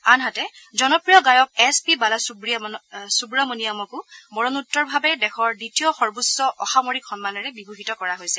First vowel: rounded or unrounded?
unrounded